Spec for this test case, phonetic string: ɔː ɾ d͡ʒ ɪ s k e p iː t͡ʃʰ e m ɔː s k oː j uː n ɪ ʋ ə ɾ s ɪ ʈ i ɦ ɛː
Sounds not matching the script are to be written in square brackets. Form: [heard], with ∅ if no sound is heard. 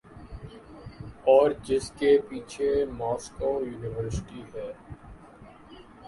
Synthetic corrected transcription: ɔː ɾ d͡ʒ ɪ s k e p iː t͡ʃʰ e m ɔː s k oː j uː n ɪ ʋ ə ɾ s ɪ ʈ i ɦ ɛː